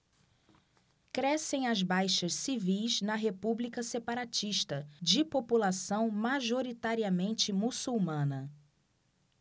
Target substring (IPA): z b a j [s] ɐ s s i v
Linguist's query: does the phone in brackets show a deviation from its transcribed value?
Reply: yes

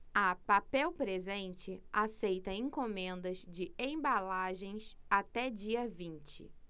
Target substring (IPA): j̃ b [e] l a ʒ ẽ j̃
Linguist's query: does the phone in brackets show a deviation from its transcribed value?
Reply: yes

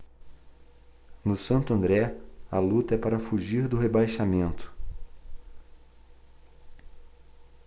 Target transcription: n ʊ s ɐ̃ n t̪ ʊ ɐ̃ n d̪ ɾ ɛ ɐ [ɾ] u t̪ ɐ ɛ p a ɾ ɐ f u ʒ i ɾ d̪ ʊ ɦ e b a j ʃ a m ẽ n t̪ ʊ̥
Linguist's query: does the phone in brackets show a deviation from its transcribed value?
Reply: yes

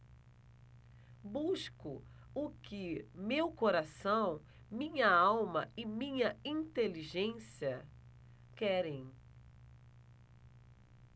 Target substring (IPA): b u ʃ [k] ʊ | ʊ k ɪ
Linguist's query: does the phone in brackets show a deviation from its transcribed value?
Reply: no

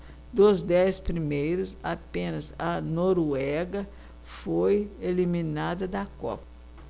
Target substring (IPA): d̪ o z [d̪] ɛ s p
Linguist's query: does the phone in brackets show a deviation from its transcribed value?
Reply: no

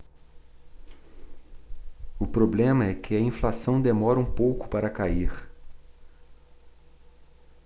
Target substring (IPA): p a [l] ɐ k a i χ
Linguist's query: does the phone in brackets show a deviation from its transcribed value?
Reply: yes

